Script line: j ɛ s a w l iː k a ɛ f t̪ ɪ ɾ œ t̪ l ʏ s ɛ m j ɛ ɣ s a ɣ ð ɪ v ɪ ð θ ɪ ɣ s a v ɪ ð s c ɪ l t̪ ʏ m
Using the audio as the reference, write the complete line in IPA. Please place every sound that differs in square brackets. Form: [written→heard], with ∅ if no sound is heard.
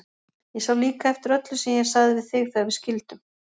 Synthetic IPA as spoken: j ɛ s a w l iː k a ɛ f t̪ ɪ ɾ œ t̪ l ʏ s ɛ m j ɛ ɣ s a ɣ ð ɪ v ɪ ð θ ɪ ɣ [s→θ] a v ɪ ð s c ɪ l t̪ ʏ m